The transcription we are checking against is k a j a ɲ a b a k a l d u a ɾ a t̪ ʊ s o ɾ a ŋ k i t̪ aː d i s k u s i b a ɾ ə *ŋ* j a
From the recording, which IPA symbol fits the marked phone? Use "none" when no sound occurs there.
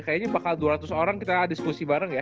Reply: ŋ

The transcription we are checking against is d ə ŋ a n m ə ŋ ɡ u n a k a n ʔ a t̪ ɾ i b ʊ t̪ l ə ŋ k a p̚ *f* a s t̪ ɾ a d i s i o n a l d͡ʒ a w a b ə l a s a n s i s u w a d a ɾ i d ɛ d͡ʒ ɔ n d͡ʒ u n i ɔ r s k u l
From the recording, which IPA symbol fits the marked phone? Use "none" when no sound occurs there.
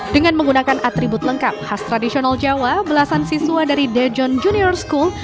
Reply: h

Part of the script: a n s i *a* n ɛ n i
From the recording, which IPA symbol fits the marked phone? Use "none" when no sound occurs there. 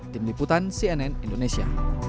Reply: ɛ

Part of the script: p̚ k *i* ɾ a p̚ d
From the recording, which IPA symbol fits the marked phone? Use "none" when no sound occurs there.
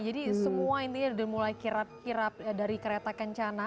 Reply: i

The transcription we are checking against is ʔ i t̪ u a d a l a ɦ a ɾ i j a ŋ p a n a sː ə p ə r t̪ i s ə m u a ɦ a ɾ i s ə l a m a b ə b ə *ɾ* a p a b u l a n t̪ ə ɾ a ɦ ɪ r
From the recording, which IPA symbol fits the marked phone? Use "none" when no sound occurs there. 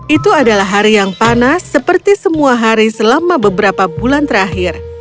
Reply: ɾ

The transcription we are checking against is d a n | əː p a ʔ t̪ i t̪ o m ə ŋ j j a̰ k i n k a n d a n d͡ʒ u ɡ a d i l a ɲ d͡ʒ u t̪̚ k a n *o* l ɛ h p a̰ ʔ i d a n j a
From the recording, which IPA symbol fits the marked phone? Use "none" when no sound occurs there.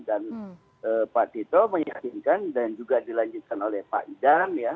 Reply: o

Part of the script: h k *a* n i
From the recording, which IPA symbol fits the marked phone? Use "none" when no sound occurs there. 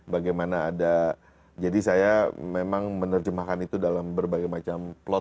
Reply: a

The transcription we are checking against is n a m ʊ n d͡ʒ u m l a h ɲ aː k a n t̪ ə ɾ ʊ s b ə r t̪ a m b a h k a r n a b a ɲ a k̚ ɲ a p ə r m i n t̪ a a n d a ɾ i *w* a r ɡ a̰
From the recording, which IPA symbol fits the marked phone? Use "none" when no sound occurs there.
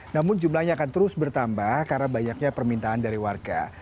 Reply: w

